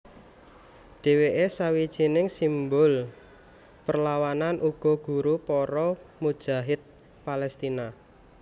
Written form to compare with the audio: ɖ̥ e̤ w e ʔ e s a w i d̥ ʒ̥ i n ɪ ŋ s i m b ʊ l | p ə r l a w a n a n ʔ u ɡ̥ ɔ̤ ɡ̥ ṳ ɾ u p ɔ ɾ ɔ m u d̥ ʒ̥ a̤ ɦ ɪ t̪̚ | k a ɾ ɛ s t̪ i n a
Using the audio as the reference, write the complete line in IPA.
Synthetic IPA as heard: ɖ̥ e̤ w e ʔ e s a w i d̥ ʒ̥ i n ɪ ŋ s i m b ʊ l | p ə r l a w a n a n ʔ u ɡ̥ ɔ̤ ɡ̥ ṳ ɾ u p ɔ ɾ ɔ m u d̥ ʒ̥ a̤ ɦ ɪ t̪̚ | p a l ɛ s t̪ i n a